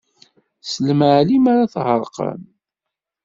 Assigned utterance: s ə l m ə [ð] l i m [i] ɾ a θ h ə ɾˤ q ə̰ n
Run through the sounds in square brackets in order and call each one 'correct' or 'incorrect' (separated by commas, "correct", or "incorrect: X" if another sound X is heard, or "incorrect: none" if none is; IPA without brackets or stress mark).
incorrect: ʕ, incorrect: a